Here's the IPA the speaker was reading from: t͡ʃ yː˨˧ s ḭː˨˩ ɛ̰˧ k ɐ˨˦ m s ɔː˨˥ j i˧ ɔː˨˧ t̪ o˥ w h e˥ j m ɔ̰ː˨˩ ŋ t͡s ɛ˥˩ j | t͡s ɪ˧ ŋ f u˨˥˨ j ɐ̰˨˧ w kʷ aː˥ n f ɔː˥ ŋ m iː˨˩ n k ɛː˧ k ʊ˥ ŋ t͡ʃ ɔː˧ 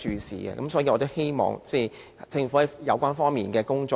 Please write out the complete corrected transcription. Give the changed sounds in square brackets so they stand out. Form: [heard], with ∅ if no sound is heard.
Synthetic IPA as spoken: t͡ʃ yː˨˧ s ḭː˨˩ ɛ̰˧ k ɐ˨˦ m s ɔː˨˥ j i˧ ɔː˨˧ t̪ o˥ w h e˥ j m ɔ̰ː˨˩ ŋ t͡s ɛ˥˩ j | t͡s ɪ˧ ŋ f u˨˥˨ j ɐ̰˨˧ w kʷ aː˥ n f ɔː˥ ŋ m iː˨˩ n k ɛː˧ k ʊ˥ ŋ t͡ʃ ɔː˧

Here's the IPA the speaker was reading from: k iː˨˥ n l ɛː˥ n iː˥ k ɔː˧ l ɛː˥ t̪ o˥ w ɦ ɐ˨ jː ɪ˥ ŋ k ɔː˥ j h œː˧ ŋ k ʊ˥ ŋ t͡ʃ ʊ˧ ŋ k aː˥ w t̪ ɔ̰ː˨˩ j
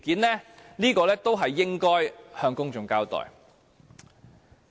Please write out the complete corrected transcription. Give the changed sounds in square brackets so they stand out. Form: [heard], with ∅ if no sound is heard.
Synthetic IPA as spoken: k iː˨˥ n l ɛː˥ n iː˥ k ɔː˧ l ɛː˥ t̪ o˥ w ɦ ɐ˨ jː ɪ˥ ŋ k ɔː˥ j h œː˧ ŋ k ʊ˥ ŋ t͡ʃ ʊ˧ ŋ k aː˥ w t̪ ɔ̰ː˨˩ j

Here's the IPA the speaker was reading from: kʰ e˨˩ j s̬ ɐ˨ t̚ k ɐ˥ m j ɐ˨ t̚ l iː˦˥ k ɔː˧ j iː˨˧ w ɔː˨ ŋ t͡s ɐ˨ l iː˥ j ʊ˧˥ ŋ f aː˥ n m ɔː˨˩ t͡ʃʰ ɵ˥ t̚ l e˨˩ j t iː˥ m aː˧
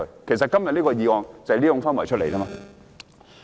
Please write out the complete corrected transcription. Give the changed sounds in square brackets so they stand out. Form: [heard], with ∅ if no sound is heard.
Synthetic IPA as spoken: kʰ e˨˩ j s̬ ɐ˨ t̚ k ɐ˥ m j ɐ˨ t̚ l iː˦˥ k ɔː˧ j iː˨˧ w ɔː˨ ŋ t͡s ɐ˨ l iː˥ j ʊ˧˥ ŋ f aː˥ n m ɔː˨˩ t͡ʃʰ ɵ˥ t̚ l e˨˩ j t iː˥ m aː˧

